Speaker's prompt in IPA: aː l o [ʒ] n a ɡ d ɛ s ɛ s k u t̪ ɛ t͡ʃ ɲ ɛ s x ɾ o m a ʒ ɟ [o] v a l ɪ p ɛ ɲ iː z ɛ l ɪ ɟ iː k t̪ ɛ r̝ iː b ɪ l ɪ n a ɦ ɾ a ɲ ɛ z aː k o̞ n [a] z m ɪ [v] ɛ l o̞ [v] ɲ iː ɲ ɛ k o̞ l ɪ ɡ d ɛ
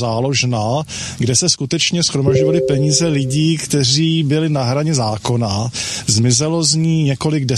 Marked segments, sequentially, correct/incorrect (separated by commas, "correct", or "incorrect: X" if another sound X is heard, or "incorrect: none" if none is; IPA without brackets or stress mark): correct, correct, correct, incorrect: z, incorrect: z